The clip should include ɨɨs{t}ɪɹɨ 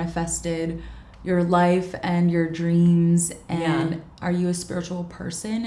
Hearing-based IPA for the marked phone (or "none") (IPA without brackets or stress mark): p